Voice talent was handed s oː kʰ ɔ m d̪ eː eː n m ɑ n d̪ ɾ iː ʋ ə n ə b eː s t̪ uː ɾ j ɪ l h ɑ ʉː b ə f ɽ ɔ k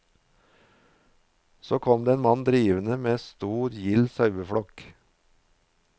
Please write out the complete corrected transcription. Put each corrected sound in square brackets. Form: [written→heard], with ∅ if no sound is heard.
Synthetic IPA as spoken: s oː kʰ ɔ m d̪ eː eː n m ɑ n d̪ ɾ iː ʋ ə n ə [b→m] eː s t̪ uː ɾ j ɪ l [h→s] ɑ [ʉː→ʉ] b ə f ɽ ɔ k